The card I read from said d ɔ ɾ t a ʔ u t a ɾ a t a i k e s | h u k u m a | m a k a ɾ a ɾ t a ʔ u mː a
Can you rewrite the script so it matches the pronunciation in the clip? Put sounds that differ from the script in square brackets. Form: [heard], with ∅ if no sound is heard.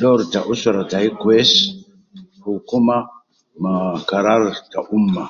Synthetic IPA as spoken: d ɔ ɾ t a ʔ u [s] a ɾ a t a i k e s | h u k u m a | m a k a ɾ a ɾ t a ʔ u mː a